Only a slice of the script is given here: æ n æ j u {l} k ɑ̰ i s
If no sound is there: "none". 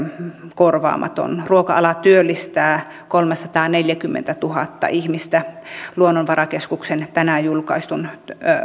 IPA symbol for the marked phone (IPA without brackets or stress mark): l